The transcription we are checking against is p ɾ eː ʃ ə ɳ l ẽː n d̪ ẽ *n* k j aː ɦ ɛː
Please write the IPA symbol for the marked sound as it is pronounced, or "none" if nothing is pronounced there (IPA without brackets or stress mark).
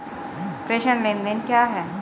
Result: n